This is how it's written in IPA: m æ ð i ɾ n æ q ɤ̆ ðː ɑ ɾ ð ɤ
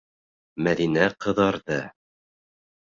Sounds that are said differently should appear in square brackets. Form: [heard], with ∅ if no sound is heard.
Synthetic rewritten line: m æ ð i [∅] n æ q ɤ̆ [ð] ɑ ɾ ð ɤ